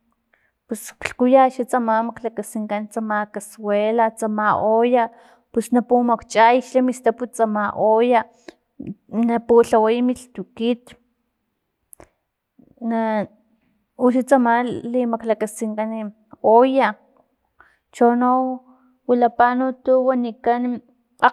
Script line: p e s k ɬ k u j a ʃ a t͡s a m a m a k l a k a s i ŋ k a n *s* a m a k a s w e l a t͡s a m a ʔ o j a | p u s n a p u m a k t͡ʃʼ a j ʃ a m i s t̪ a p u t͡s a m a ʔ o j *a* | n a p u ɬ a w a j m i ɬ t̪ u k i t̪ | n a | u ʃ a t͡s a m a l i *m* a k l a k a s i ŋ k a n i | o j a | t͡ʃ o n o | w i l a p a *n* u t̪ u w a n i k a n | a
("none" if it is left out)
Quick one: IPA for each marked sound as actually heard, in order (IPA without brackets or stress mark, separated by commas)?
t͡s, a, m, n